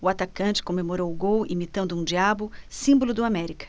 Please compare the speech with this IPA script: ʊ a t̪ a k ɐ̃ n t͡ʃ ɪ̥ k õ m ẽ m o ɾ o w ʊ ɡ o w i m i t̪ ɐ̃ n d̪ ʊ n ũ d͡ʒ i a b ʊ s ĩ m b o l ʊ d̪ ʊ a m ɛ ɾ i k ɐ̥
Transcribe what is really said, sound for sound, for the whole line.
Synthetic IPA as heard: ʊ a t̪ a k ɐ̃ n t͡ʃ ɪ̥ k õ m e m o ɾ o w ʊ ɡ o w i m i t̪ ɐ̃ n d̪ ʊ ũ d͡ʒ i a b ʊ s ĩ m b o l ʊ d̪ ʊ a m ɛ ɾ i k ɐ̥